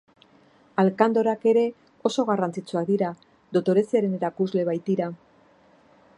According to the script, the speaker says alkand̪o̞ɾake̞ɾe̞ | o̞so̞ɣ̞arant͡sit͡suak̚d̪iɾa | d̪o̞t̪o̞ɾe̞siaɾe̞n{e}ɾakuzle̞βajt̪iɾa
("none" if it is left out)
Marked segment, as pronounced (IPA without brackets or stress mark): e